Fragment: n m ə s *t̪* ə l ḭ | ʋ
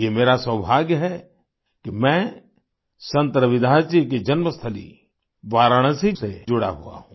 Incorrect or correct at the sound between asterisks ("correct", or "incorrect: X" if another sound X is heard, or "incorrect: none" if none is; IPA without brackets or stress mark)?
incorrect: t̪ʰ